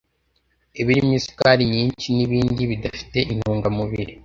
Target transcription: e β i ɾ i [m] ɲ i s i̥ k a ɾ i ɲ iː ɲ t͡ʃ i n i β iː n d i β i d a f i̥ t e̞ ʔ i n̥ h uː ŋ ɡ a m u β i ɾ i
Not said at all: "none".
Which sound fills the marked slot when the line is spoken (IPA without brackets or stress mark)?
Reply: m